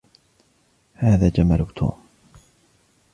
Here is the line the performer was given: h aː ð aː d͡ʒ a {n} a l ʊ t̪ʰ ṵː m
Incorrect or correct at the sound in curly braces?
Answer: incorrect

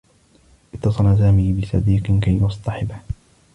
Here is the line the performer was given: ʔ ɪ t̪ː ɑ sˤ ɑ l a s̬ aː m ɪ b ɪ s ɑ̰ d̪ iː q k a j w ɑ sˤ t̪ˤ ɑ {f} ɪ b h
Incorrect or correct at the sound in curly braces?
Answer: incorrect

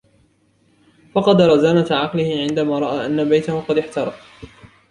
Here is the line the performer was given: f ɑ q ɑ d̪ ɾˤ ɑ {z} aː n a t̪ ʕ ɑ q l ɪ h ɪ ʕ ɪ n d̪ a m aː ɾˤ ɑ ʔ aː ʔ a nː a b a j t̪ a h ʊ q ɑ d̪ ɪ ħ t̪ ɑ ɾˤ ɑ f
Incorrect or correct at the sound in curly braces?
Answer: correct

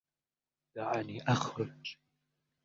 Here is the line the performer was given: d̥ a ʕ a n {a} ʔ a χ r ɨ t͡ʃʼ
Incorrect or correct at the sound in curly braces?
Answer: incorrect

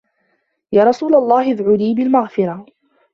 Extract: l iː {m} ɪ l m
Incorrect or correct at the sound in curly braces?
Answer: incorrect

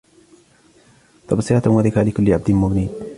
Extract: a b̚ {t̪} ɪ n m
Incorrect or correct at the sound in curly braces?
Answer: incorrect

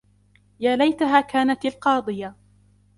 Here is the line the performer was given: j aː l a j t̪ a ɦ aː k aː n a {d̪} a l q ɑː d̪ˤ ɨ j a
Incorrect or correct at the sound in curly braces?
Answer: incorrect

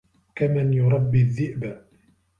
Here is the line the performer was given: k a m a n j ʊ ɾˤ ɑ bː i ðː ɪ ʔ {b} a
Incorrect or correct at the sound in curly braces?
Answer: correct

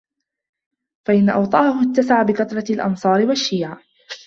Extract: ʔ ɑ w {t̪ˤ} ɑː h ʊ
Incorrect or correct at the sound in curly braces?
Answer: correct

